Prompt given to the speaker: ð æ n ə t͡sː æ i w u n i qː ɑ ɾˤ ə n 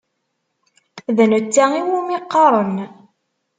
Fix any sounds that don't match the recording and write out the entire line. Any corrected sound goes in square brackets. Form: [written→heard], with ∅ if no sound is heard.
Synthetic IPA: ð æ n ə t͡sː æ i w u [n→m] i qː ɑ ɾˤ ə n